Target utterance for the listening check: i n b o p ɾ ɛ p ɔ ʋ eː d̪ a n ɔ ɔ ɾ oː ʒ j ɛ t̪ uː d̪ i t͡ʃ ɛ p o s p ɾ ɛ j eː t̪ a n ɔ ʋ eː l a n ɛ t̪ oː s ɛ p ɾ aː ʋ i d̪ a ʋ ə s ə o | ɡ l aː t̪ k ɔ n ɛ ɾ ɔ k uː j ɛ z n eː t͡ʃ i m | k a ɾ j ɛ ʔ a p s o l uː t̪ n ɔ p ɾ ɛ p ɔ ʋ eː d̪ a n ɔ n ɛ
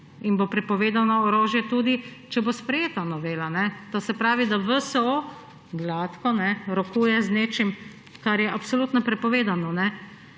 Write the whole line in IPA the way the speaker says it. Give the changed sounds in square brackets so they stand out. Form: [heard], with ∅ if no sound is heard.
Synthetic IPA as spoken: i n b o p ɾ ɛ p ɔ ʋ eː d̪ a n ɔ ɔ ɾ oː ʒ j ɛ t̪ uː d̪ i t͡ʃ ɛ [b] o s p ɾ ɛ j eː t̪ a n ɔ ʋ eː l a n ɛ t̪ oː s ɛ p ɾ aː ʋ i d̪ a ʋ ə s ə o | ɡ l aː t̪ k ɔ n ɛ ɾ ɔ k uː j ɛ z n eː t͡ʃ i m | k a ɾ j ɛ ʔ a p s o l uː t̪ n ɔ p ɾ ɛ p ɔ ʋ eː d̪ a n ɔ n ɛ